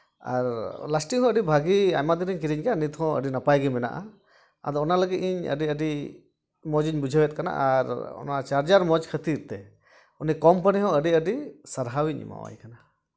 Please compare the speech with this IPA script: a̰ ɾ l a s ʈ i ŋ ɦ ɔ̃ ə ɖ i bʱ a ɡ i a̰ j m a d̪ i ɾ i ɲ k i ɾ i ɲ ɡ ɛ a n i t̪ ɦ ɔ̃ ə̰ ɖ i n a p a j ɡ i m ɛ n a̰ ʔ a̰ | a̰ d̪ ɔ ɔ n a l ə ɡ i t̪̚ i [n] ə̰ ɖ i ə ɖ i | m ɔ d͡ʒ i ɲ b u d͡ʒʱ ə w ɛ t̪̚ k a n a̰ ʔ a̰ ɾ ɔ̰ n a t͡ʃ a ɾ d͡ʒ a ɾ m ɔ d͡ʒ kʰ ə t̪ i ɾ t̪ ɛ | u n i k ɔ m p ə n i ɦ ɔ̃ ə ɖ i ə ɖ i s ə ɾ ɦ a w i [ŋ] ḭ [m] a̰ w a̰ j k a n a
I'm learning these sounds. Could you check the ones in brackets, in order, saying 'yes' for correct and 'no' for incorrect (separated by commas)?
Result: no, no, yes